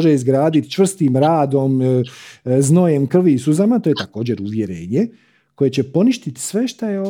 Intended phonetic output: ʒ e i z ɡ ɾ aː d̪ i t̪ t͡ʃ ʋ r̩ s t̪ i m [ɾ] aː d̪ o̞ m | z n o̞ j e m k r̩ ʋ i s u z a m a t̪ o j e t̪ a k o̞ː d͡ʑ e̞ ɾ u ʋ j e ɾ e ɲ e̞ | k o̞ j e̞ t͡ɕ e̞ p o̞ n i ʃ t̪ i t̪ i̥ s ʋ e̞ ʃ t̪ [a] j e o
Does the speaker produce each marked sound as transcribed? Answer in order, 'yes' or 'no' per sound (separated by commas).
yes, yes